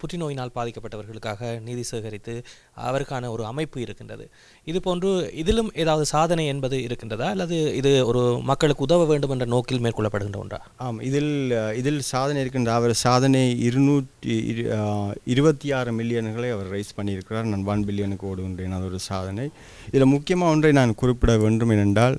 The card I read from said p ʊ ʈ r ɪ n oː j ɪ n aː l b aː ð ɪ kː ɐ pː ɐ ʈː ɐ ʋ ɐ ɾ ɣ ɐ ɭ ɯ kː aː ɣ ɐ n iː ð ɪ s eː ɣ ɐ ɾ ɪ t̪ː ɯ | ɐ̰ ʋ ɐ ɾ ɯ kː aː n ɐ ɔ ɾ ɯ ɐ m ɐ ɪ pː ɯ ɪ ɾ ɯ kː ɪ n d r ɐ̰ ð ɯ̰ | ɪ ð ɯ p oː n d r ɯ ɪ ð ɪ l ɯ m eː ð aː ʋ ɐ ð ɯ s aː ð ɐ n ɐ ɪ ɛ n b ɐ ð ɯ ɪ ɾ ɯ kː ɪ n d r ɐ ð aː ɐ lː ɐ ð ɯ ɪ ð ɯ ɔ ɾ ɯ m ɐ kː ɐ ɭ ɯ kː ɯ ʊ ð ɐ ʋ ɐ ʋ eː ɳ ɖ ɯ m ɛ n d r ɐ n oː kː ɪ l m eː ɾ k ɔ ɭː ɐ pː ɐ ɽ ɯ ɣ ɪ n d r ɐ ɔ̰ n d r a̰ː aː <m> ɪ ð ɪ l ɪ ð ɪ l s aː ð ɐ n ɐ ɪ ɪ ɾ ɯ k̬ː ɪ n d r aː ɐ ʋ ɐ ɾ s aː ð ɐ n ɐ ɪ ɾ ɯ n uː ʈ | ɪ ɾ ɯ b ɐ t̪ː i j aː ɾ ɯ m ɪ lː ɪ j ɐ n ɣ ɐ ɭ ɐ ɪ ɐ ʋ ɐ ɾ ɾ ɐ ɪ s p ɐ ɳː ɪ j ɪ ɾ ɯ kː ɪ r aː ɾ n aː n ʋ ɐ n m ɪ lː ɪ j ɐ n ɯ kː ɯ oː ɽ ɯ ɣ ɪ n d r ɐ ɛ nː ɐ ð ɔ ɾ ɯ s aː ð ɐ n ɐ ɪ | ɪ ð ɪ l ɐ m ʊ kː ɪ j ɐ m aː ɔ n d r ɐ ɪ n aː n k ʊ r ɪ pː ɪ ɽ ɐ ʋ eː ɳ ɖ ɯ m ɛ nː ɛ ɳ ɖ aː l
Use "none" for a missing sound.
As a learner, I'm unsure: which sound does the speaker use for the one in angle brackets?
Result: m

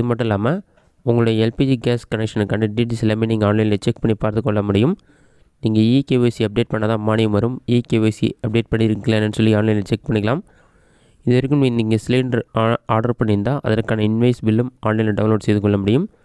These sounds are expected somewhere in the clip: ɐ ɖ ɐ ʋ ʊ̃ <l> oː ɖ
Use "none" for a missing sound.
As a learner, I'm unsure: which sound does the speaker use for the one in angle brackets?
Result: l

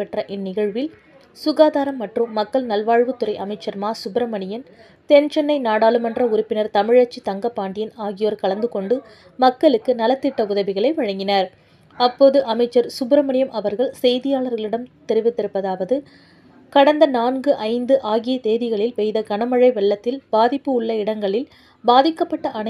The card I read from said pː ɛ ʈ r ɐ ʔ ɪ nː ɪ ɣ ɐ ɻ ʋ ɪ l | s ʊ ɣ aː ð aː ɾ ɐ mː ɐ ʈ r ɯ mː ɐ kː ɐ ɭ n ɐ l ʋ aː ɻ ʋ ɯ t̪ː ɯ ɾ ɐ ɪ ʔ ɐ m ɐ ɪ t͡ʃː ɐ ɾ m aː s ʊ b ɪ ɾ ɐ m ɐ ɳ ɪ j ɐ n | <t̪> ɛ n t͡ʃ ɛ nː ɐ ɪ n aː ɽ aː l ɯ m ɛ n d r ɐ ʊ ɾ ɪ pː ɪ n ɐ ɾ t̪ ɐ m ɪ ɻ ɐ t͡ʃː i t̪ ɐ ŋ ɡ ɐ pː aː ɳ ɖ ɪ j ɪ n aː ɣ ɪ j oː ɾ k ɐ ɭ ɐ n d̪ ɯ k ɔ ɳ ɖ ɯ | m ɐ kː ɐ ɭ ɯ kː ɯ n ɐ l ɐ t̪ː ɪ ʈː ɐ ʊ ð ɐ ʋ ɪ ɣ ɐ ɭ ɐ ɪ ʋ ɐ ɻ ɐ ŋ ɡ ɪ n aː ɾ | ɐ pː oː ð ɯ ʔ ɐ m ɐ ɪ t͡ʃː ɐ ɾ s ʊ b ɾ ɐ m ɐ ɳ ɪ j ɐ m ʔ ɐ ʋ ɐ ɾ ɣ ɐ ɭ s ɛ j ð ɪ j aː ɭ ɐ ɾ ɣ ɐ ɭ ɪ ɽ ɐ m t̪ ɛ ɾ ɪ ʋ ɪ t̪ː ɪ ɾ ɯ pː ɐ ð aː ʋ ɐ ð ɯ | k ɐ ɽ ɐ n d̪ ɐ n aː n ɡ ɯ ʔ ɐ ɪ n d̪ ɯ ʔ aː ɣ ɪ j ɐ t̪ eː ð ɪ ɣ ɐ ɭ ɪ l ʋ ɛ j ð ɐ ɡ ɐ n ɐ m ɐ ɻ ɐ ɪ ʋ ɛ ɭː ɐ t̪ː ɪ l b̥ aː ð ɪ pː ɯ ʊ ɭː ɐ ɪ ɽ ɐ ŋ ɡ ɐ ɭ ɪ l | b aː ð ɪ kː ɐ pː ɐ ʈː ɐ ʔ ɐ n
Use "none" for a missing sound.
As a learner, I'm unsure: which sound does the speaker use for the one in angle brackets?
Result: t̪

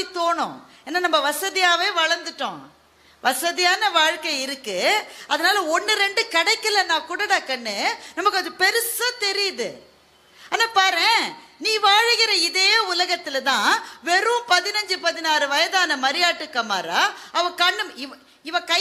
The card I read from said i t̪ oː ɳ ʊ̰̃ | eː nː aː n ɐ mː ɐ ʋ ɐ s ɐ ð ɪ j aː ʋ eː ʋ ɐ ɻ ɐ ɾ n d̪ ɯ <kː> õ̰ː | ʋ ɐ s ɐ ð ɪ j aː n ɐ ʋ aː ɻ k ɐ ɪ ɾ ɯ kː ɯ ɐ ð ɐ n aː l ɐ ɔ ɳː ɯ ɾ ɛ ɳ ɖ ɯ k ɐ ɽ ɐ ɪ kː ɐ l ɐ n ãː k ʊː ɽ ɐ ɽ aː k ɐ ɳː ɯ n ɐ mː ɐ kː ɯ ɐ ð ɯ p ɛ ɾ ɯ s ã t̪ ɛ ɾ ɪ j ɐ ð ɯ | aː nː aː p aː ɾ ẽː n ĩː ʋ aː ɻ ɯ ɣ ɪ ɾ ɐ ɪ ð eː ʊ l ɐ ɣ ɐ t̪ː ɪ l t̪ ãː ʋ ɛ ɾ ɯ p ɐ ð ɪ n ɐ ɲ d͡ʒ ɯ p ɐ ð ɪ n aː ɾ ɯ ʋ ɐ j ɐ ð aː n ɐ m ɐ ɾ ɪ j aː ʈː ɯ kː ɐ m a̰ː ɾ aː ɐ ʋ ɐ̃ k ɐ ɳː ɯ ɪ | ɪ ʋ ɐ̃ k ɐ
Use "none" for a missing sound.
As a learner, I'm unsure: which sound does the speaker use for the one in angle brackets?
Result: ʈː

